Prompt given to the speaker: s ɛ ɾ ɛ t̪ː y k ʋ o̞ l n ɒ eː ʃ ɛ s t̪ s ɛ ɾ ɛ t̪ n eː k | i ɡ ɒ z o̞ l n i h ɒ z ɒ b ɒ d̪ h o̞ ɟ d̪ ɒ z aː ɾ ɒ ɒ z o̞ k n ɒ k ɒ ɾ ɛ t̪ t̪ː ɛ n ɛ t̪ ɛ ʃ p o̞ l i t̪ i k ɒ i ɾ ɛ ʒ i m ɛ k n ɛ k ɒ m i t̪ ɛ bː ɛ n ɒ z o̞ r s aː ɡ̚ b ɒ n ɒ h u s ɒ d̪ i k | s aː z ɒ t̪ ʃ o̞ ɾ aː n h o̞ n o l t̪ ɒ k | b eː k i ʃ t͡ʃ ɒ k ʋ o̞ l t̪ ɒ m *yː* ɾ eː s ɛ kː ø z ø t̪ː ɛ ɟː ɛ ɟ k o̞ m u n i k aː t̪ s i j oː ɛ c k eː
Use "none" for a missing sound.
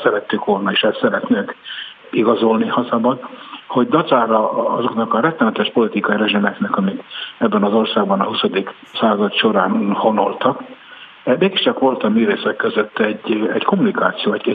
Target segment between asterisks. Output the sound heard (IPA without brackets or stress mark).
yː